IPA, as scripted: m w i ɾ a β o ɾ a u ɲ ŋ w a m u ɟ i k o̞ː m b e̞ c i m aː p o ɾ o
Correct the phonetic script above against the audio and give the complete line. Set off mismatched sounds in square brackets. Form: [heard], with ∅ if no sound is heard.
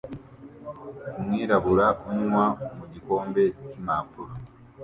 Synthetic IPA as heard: m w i ɾ a β [u] ɾ a u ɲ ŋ w a m u ɟ i k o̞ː m b e̞ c i m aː p [u] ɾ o

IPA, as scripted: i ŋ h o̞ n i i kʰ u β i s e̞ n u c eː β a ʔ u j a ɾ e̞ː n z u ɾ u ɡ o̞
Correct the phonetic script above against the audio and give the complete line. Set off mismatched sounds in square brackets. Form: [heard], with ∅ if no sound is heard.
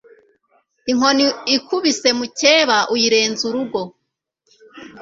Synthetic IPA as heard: i ŋ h o̞ n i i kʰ u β i s e̞ [m] u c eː β a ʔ u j [i] ɾ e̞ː n z u ɾ u ɡ o̞

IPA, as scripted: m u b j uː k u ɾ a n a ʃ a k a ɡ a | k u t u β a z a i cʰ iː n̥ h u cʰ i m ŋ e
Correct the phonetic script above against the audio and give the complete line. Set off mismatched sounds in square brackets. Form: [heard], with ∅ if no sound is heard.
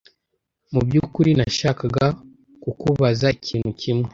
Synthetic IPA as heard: m u b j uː k u ɾ [i] n a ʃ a k a ɡ a | k u [k] u β a z a i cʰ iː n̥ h u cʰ i m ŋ e

